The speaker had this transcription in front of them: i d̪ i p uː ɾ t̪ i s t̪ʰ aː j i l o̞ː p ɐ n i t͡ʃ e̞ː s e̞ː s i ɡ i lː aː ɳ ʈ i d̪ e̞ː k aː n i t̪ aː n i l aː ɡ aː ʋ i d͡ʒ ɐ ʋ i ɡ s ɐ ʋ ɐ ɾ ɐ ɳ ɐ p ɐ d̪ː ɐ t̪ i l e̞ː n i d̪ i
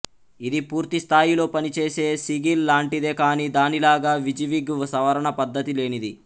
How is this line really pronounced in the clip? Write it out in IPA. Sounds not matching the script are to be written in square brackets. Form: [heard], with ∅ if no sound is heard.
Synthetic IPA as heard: i d̪ i p uː ɾ t̪ i s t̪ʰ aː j i l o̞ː p ɐ n i t͡ʃ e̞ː s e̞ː s i ɡ i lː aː ɳ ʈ i d̪ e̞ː k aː n i [d̪] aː n i l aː ɡ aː ʋ i d͡ʒ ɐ ʋ i ɡ s ɐ ʋ ɐ ɾ ɐ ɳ ɐ p ɐ d̪ː ɐ t̪ i l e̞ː n i d̪ i

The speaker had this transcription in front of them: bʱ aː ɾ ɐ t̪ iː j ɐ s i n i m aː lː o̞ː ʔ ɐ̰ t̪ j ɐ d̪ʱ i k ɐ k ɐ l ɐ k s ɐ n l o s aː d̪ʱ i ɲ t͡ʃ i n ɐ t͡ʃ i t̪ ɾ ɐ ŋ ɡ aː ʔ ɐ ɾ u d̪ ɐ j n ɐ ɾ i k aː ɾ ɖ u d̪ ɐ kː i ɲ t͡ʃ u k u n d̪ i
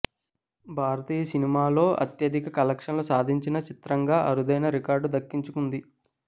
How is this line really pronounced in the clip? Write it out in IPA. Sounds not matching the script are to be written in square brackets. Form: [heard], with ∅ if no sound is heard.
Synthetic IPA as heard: bʱ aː ɾ ɐ t̪ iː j ɐ s i n i m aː [l] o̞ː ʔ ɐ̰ t̪ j ɐ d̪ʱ i k ɐ k ɐ l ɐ k [ʂ] ɐ n l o s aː d̪ʱ i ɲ t͡ʃ i n ɐ t͡ʃ i t̪ ɾ ɐ ŋ ɡ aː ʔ ɐ ɾ u d̪ ɐ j n ɐ ɾ i k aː ɾ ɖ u d̪ ɐ kː i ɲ t͡ʃ u k u n d̪ i

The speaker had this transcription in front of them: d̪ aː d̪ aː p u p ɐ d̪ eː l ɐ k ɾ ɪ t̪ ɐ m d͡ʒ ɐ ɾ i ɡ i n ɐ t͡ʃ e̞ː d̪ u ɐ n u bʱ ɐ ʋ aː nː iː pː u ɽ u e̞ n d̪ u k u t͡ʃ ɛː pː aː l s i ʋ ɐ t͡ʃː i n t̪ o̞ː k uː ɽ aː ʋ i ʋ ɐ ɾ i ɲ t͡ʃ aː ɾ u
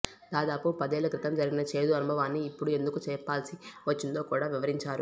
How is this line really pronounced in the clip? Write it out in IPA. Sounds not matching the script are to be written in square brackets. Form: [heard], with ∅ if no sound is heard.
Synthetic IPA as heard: d̪ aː d̪ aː p u p ɐ d̪ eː l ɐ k ɾ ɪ t̪ ɐ m d͡ʒ ɐ ɾ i ɡ i n ɐ t͡ʃ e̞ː d̪ u ɐ n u bʱ ɐ ʋ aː nː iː pː u ɽ u e̞ n d̪ u k u t͡ʃ ɛː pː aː l s i ʋ ɐ t͡ʃː i n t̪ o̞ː k uː ɽ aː ʋ i ʋ ɐ ɾ i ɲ t͡ʃ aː ɾ u

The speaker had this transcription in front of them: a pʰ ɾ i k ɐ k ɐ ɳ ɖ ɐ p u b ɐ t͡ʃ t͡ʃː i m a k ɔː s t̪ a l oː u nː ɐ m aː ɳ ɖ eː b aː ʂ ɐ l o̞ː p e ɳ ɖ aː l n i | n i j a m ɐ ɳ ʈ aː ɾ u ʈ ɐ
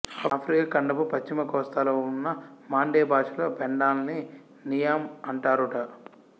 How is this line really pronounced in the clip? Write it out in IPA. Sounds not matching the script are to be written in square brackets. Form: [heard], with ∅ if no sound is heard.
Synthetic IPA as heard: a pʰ ɾ i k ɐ k ɐ ɳ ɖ ɐ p u [p] ɐ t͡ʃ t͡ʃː i m [ɐ] k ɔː s t̪ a l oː u nː ɐ m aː ɳ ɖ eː b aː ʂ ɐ l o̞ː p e ɳ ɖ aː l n i | n i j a m ɐ ɳ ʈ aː ɾ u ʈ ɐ

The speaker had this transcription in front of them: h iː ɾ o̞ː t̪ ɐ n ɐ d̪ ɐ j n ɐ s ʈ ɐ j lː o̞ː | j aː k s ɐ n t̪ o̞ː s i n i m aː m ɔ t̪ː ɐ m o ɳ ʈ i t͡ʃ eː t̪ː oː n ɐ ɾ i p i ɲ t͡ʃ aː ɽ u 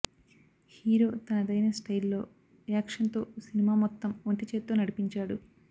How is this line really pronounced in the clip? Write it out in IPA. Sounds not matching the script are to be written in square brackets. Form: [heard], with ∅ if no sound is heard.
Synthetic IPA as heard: h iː ɾ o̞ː t̪ ɐ n ɐ d̪ ɐ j n ɐ s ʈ ɐ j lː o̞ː | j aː k [ʂ] ɐ n t̪ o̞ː s i n i m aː m ɔ t̪ː ɐ m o ɳ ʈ i t͡ʃ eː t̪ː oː n ɐ [ɽ] i p i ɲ t͡ʃ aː ɽ u

